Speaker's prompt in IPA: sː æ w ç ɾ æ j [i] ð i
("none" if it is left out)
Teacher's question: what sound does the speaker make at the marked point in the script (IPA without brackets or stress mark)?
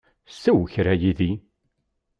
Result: i